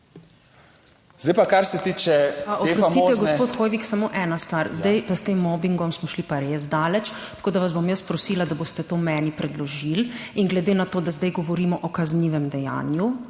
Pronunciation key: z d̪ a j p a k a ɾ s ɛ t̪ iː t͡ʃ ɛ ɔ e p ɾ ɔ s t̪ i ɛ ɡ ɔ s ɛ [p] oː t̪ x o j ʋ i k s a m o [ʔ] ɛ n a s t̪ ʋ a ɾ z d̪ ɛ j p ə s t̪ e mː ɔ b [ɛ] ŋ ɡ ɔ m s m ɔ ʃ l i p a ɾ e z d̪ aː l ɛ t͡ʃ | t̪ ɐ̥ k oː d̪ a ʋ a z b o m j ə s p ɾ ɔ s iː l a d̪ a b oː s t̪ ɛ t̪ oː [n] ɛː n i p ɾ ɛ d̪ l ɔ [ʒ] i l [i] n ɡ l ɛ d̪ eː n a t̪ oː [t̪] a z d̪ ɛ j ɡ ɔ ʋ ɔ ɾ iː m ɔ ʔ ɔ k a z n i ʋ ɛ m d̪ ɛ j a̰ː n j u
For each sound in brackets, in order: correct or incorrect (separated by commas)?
correct, correct, incorrect, incorrect, correct, correct, incorrect